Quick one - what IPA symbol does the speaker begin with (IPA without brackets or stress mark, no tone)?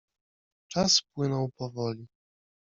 t͡ʂ